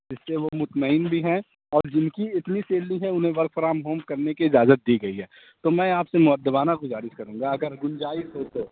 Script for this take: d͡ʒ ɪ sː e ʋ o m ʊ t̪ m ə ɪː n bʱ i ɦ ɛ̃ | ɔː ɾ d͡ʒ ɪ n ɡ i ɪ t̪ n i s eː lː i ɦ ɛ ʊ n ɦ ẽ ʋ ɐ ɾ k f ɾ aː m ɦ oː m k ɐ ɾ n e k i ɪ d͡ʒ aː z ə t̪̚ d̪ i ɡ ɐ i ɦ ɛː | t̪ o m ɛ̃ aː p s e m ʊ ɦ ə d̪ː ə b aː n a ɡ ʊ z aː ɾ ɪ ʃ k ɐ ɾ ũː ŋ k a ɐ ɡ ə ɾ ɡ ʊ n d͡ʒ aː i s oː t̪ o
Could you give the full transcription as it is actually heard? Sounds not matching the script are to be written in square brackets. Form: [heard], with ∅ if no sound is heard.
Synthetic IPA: d͡ʒ ɪ sː e ʋ o m ʊ t̪ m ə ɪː n bʱ i ɦ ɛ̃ | ɔː ɾ d͡ʒ ɪ n [k] i ɪ t̪ n i s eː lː i ɦ ɛ ʊ n ɦ ẽ ʋ ɐ ɾ k f ɾ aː m ɦ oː m k ɐ ɾ n e k i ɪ d͡ʒ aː z ə t̪̚ d̪ i ɡ ɐ i ɦ ɛː | t̪ o m ɛ̃ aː p s e m ʊ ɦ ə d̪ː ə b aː n a ɡ ʊ z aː ɾ ɪ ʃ k ɐ ɾ ũː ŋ [ɡ] a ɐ ɡ ə ɾ ɡ ʊ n d͡ʒ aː i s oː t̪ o

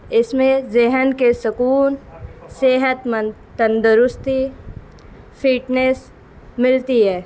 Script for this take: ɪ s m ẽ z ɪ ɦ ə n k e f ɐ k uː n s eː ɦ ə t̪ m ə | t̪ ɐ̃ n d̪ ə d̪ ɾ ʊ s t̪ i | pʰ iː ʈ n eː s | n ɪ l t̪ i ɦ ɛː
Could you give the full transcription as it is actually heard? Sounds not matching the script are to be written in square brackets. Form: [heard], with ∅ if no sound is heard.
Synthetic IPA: ɪ s m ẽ z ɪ ɦ ə n k e [s] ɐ k uː n s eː ɦ ə t̪ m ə | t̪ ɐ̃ n d̪ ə [∅] ɾ ʊ s t̪ i | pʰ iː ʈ n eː s | [m] ɪ l t̪ i ɦ ɛː

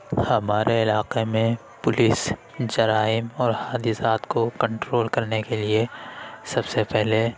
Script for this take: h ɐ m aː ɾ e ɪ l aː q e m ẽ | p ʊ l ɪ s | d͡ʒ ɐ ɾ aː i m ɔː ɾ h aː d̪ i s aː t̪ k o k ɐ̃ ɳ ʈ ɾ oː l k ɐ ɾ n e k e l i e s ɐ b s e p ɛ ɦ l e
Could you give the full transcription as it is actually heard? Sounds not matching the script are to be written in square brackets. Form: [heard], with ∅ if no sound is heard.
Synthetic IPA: h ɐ m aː ɾ e ɪ l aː q e m ẽ | p ʊ l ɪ s | d͡ʒ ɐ ɾ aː [ɪ] m ɔː ɾ h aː d̪ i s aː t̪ k o k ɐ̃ ɳ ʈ ɾ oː l k ɐ ɾ n e k e l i e s ɐ b s e p ɛ ɦ l e

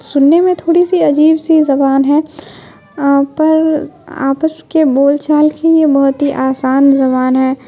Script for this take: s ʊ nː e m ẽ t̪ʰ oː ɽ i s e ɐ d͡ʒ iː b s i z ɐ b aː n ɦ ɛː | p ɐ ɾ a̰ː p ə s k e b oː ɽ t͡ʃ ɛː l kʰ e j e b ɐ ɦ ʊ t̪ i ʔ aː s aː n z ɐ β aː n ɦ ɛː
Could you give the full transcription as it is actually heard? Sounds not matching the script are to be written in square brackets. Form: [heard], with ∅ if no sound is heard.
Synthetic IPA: s ʊ nː e m ẽ t̪ʰ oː ɽ i s [i] ɐ d͡ʒ iː b s i z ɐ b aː n ɦ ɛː | p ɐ ɾ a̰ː p ə s k e b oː [l] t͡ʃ [aː] l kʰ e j e b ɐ ɦ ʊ t̪ i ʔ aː s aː n z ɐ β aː n ɦ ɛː

